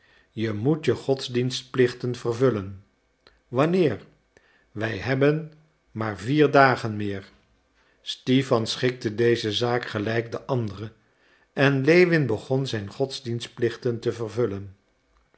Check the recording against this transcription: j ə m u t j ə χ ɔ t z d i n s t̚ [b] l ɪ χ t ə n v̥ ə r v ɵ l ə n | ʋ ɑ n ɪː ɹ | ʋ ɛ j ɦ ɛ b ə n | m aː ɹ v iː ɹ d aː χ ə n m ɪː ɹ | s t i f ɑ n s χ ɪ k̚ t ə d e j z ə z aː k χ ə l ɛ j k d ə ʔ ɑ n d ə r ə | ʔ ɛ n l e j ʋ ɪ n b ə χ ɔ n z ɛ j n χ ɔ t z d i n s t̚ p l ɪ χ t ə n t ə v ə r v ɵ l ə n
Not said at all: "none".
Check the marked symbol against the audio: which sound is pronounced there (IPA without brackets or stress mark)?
p